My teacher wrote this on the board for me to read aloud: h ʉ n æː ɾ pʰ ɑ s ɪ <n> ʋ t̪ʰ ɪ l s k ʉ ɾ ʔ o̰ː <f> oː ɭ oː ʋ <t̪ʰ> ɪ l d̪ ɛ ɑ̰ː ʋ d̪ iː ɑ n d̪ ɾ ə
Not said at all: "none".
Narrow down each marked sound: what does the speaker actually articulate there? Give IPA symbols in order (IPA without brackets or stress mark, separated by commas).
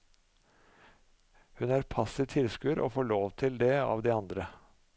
none, f, t̪ʰ